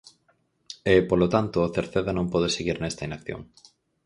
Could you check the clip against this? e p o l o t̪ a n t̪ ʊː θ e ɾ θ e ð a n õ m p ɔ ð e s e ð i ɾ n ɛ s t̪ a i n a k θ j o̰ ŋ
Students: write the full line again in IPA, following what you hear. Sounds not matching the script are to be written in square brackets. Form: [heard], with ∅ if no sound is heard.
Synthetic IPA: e p o l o t̪ a n t̪ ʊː θ e ɾ θ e ð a n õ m p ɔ ð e s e [ɣ] i ɾ n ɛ s t̪ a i n a k θ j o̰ ŋ